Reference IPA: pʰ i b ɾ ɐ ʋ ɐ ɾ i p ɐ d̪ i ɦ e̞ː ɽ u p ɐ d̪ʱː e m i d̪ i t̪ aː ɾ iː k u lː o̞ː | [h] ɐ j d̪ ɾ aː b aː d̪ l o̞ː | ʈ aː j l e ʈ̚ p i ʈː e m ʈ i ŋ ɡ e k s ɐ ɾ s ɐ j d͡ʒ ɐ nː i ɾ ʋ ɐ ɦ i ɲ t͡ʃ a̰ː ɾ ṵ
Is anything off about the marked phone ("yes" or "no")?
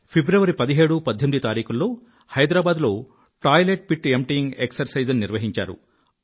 no